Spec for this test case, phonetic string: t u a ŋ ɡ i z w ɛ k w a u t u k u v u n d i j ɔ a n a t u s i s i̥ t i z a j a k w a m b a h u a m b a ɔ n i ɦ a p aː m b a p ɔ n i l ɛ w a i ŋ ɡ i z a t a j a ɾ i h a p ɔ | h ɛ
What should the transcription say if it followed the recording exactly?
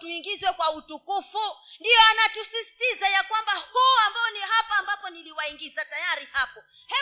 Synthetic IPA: t u i ŋ ɡ i z w ɛ k w a u t u k u f u n d i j ɔ a n a t u s i s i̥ t i z a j a k w a m b a h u a m b a ɔ n i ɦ a p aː m b a p ɔ n i l i w a i ŋ ɡ i z a t a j a ɾ i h a p ɔ | h ɛ